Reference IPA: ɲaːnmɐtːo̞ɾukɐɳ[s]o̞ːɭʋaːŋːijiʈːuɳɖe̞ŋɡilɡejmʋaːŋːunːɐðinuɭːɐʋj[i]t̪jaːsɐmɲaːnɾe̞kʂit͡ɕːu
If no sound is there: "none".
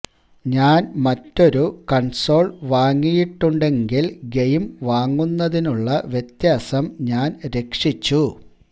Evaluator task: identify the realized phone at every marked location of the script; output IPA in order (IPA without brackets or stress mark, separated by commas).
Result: s, e